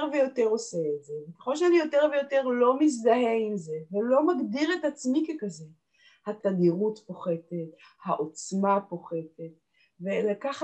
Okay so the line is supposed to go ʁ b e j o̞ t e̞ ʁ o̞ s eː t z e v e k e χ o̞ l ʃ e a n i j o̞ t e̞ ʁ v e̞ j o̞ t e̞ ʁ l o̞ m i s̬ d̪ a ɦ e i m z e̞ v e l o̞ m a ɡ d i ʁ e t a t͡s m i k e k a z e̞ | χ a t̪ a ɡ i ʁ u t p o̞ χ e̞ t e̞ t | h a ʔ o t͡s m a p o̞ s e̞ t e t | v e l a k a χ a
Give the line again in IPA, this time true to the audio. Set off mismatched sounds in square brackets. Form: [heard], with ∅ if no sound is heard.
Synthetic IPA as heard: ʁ [v] e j o̞ t e̞ ʁ o̞ s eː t z e v e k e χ o̞ l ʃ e a n i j o̞ t e̞ ʁ v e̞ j o̞ t e̞ ʁ l o̞ m i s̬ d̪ a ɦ e i m z e̞ v e l o̞ m a ɡ d i ʁ e t a t͡s m i k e k a z e̞ | [h] a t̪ a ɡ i ʁ u t p o̞ χ e̞ t e̞ t | h a ʔ o t͡s m a p o̞ [χ] e̞ t e t | v e l a k a χ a